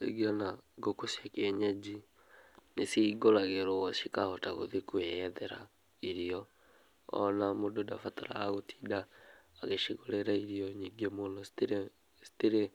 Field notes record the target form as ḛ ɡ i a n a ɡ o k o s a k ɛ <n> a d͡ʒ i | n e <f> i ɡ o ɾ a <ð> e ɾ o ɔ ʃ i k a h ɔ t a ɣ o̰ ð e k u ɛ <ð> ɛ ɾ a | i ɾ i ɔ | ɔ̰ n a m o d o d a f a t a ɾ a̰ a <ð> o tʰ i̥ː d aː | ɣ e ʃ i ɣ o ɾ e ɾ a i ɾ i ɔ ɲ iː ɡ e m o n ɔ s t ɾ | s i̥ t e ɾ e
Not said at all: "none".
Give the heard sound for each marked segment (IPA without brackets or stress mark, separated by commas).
ɲ, s, ɣ, ð, ɣ